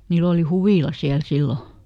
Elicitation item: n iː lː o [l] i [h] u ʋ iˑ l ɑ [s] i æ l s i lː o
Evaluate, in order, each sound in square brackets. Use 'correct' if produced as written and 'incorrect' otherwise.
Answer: correct, correct, correct

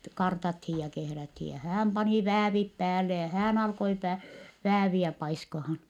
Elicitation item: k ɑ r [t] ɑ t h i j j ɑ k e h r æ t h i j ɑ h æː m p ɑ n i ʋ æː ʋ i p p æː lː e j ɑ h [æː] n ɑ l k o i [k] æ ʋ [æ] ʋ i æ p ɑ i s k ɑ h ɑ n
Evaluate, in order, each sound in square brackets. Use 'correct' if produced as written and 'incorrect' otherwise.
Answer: correct, correct, incorrect: p, incorrect: æː

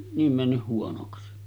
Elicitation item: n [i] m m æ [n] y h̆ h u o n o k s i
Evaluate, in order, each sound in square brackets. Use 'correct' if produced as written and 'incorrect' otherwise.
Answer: incorrect: iː, incorrect: nː

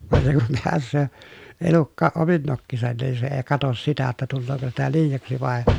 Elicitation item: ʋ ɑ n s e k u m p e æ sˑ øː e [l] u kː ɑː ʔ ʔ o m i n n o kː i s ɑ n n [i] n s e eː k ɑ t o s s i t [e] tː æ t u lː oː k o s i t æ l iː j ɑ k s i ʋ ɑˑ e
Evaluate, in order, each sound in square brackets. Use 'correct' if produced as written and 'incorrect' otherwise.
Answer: correct, incorrect: iː, incorrect: æ

